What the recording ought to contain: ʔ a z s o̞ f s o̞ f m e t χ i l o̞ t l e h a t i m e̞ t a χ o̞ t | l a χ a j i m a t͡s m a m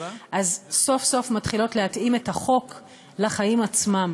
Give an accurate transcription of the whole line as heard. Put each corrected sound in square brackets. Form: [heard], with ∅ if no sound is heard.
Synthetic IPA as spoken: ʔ a z s o̞ f s o̞ f m [a] t χ i l o̞ t l e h a t i m e̞ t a χ o̞ [k] | l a χ a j i m a t͡s m a m

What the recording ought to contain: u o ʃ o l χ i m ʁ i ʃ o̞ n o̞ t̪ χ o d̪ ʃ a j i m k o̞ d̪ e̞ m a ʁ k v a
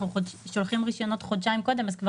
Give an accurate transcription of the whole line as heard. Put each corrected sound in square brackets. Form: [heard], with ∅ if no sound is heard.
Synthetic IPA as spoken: u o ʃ o l χ i m ʁ i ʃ o̞ n o̞ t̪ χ o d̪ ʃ a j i m k o̞ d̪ e̞ m a [z] k v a

